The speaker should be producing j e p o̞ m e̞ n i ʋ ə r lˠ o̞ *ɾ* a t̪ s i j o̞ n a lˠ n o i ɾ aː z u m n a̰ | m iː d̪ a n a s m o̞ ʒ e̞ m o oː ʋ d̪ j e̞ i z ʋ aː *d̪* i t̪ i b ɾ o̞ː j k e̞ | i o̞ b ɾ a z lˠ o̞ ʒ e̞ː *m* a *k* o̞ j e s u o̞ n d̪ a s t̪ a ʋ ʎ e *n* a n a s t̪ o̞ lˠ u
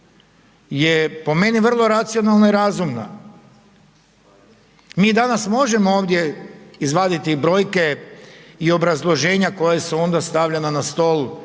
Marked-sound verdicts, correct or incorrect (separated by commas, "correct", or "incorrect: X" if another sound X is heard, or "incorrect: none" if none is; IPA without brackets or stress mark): correct, correct, incorrect: ɲ, correct, correct